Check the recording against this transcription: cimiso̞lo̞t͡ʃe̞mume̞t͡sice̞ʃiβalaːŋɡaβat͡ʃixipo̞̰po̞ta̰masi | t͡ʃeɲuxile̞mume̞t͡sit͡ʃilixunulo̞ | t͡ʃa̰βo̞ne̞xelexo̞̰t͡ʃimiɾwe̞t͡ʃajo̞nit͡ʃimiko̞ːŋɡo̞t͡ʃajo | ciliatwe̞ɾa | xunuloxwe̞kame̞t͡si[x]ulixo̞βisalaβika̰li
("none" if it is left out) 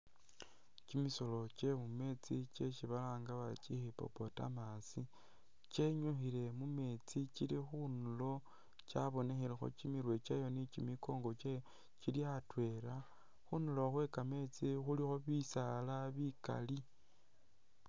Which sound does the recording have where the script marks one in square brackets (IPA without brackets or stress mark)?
x